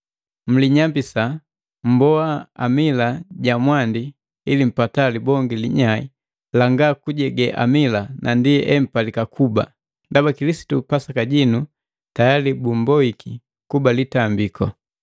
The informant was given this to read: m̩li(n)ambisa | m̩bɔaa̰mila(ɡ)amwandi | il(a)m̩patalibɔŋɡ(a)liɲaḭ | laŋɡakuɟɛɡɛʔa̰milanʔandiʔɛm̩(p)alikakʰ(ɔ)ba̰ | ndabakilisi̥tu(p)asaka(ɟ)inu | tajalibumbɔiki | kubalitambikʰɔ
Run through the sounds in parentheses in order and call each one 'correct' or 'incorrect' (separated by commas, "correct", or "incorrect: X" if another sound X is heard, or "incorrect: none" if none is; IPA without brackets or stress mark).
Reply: incorrect: ɲ, incorrect: ɟ, incorrect: i, incorrect: i, correct, incorrect: u, correct, correct